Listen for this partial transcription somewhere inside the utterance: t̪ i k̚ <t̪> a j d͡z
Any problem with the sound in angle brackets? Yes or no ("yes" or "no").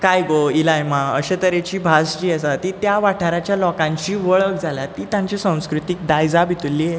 yes